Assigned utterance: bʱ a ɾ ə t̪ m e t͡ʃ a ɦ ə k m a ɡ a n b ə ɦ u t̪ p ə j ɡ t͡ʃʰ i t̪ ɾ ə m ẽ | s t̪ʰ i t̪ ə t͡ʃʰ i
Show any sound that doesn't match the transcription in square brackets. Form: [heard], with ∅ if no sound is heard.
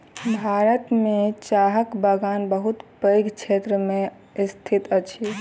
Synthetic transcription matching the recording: bʱ a ɾ ə t̪ m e t͡ʃ a ɦ ə k [b] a ɡ a n b ə ɦ u t̪ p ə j ɡ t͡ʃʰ [e] t̪ ɾ ə m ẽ | s t̪ʰ i t̪ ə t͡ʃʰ i